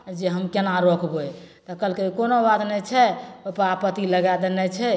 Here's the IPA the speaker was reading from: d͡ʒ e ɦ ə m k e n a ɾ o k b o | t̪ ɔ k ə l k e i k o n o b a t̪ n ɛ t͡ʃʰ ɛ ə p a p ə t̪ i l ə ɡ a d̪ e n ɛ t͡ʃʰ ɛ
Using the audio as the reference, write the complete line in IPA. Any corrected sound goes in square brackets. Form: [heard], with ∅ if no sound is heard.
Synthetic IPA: d͡ʒ e ɦ ə m k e n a ɾ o k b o | t̪ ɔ k ə l k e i k o n o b a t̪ n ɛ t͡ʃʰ ɛ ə p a p ə t̪ i l ə ɡ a d̪ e n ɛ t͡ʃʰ ɛ